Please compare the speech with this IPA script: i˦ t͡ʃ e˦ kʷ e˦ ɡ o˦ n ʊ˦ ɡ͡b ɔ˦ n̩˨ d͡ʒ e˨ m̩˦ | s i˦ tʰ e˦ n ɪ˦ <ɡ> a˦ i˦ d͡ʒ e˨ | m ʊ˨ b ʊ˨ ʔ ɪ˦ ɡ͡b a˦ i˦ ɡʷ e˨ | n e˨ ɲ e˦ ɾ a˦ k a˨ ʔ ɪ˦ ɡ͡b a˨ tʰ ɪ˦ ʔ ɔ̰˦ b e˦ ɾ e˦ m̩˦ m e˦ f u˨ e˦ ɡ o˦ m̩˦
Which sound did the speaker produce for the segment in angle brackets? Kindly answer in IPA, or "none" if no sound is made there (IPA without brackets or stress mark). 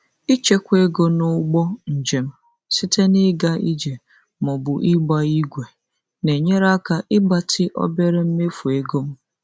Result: ɡ